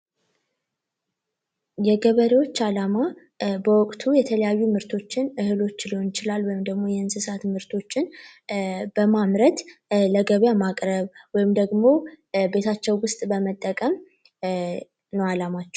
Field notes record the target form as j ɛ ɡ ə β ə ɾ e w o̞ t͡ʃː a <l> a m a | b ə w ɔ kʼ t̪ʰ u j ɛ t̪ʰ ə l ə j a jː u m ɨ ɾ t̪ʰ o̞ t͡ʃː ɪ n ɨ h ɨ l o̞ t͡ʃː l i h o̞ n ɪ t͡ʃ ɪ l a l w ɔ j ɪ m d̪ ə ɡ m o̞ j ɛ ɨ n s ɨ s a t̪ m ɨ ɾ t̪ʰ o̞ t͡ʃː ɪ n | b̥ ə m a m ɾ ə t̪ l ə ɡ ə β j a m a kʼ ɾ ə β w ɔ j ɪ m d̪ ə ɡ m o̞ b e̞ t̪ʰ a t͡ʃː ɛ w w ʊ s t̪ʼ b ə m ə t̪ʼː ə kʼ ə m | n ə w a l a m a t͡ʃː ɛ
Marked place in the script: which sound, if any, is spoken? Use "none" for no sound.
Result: l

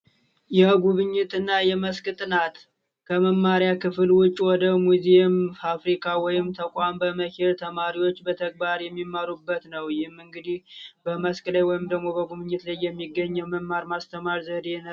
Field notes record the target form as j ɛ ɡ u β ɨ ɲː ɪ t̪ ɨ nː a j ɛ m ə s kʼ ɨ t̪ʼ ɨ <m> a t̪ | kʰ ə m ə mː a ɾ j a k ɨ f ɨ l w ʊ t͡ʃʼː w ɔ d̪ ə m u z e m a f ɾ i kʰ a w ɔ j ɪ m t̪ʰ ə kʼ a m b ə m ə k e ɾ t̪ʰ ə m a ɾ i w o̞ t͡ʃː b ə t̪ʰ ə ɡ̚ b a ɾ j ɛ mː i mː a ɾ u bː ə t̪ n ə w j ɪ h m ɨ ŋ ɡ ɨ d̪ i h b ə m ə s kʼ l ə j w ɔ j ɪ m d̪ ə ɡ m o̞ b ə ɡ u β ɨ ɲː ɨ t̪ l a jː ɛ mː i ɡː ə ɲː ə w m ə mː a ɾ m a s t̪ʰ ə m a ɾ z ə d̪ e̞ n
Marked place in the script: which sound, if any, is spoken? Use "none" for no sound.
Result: n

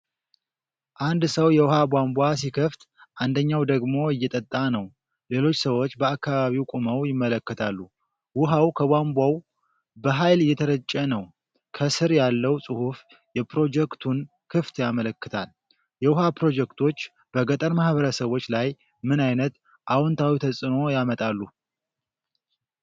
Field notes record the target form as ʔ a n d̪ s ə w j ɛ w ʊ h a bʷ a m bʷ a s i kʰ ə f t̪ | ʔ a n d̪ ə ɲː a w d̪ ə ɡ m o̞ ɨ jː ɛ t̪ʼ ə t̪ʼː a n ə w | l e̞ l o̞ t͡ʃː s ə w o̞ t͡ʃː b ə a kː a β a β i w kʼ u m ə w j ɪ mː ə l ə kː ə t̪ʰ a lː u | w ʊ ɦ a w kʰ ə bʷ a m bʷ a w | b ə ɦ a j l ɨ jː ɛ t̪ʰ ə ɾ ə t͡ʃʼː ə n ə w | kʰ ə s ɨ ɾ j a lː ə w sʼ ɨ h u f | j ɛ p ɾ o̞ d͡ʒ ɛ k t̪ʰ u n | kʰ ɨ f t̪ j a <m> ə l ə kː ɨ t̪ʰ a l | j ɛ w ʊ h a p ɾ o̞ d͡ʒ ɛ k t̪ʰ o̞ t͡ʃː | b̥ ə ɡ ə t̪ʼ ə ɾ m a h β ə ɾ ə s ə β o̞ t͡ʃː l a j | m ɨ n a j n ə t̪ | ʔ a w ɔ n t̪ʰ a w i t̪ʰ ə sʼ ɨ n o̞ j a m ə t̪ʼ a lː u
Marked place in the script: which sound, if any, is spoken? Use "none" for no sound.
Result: m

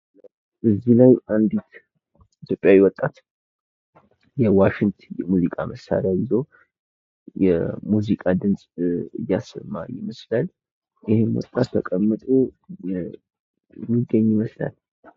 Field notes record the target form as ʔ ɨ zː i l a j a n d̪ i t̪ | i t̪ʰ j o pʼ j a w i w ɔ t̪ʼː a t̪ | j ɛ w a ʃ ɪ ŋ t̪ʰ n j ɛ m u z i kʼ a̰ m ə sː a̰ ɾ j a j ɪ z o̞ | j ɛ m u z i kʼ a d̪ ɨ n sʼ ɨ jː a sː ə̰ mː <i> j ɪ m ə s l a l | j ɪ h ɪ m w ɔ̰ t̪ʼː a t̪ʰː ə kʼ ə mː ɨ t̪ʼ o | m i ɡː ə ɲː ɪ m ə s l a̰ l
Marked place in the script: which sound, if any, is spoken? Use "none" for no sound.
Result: a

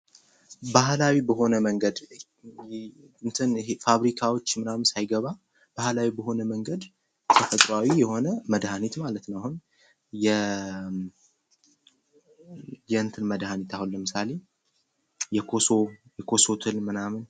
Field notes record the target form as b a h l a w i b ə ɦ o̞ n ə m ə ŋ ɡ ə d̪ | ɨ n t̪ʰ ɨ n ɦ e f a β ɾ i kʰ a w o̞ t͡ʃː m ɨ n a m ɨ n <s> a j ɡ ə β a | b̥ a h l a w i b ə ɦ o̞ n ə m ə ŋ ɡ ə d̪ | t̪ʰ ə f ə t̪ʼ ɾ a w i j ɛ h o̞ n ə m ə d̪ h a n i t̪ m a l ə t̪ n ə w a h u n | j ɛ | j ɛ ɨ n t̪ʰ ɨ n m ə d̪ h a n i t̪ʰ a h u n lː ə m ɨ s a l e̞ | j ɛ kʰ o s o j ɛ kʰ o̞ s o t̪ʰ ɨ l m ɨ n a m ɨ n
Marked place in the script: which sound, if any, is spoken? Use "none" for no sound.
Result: s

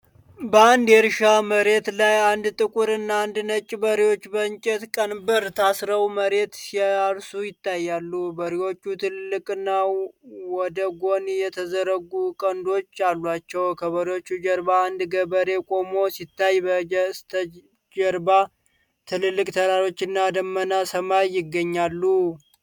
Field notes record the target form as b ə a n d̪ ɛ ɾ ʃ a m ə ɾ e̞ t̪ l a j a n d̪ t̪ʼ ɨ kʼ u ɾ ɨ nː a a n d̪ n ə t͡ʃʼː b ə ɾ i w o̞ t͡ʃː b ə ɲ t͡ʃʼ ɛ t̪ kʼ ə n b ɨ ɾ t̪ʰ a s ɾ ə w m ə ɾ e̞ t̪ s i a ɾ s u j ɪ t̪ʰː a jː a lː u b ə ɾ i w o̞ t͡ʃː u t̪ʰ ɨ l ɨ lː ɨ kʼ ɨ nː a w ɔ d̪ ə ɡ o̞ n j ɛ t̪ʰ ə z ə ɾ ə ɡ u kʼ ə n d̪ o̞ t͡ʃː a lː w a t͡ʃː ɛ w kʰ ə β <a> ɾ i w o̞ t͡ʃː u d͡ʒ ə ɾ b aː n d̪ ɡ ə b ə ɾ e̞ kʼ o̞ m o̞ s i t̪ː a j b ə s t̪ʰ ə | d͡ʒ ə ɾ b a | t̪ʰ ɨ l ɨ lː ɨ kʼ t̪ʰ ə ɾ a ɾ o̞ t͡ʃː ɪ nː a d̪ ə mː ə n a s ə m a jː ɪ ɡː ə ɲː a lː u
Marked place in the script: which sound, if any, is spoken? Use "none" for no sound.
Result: ə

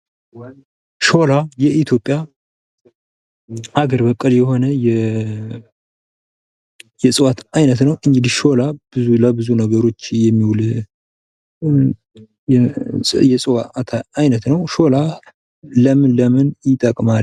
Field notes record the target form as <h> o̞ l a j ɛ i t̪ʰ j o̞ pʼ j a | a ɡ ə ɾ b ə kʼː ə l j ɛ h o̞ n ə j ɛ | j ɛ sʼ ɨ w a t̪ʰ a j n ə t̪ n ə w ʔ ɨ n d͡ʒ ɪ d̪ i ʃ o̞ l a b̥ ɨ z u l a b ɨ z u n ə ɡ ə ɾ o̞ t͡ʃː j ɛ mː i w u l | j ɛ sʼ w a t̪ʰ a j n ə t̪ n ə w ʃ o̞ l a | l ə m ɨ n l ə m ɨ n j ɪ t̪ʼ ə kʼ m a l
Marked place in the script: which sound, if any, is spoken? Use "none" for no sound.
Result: ʃ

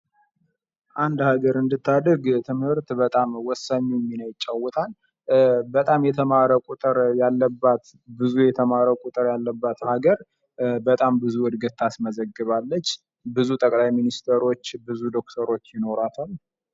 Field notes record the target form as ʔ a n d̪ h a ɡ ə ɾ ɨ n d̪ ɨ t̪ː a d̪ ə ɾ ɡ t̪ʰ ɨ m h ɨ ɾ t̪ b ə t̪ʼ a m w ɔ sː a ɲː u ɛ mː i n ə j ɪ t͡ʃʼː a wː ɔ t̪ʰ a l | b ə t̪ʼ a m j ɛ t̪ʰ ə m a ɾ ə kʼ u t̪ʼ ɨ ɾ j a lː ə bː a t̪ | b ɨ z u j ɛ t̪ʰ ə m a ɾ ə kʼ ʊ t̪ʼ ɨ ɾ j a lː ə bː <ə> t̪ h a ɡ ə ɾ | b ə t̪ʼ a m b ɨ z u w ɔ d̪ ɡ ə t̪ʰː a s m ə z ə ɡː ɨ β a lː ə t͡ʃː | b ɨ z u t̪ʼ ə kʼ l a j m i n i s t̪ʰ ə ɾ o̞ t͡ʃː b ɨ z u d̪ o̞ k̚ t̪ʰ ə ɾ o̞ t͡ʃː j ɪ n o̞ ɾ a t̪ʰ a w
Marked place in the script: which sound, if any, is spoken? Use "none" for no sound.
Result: a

